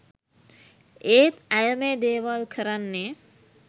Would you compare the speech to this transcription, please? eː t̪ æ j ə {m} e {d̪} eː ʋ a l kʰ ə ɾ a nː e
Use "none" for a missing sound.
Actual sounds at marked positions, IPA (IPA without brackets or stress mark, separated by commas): m, d̪